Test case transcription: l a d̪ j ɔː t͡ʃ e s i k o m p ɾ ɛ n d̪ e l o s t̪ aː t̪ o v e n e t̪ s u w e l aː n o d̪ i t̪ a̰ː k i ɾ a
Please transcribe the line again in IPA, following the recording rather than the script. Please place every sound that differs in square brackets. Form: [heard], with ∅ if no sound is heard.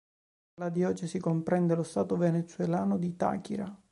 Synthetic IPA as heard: l a d̪ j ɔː t͡ʃ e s i k o m p ɾ ɛ n d̪ e l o s t̪ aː t̪ o v e n e t̪ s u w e l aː n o d̪ i t̪ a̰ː k i ɾ a